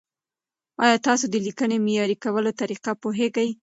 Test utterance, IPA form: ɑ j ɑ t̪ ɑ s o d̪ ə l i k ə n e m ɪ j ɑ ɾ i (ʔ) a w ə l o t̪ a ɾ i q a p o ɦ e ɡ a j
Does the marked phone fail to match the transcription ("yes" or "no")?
yes